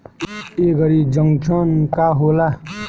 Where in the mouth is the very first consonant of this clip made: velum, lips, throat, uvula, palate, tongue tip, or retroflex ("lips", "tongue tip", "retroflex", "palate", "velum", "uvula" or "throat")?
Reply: velum